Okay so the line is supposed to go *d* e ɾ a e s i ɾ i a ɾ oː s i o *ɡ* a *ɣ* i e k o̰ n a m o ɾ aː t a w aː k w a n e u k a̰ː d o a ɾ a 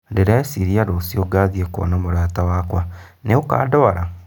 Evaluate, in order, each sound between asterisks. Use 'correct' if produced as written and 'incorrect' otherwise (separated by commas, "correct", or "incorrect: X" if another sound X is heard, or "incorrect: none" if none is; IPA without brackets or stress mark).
correct, correct, incorrect: ð